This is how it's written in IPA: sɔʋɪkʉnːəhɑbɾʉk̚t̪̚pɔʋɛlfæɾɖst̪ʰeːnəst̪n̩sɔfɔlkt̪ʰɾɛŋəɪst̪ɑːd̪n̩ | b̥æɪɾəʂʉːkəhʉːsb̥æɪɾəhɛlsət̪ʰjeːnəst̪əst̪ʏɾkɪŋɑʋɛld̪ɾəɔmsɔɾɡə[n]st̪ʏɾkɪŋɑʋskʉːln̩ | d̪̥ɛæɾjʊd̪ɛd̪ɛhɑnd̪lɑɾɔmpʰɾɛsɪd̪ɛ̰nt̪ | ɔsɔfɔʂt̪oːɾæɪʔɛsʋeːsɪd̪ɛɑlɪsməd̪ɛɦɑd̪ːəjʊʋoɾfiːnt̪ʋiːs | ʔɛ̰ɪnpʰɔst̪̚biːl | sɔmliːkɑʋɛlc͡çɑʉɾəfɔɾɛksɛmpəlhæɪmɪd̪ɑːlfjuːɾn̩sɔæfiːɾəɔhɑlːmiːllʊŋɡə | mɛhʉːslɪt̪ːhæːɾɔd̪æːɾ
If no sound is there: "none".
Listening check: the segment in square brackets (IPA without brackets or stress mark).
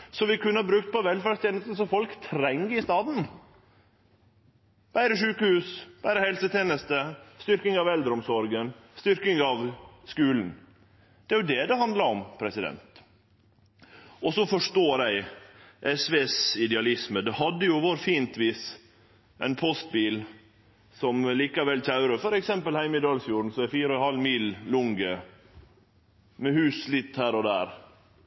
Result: n